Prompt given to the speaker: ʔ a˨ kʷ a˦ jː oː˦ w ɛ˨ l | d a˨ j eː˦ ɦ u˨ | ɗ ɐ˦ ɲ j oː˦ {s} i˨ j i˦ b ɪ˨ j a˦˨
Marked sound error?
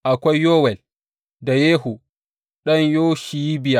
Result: yes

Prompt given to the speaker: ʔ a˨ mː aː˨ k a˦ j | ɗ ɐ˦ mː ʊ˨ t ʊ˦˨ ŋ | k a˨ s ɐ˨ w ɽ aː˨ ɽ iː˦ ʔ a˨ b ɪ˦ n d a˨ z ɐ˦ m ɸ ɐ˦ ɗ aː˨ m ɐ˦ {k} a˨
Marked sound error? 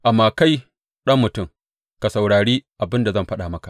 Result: no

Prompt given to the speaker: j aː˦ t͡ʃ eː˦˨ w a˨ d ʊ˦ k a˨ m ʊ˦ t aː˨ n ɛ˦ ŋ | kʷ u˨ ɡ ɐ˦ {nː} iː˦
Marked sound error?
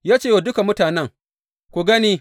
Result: yes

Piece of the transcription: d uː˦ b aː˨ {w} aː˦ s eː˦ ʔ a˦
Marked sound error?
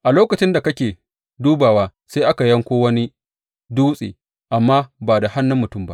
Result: no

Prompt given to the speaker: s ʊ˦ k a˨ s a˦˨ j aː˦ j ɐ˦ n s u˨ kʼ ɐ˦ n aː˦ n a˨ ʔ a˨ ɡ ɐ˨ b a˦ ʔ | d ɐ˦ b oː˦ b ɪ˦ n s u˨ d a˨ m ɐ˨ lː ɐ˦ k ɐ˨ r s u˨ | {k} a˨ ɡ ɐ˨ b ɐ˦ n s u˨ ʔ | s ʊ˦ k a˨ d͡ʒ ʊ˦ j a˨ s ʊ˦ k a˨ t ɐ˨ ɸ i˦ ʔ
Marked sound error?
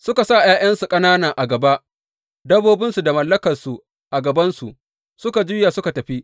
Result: yes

